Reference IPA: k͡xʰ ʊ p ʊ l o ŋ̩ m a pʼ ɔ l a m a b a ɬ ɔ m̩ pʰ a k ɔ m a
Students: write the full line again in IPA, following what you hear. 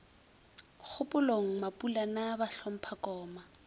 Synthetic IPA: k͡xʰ ʊ p ʊ l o ŋ̩ m a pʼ u l a n a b a ɬ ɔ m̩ pʰ a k ɔː m a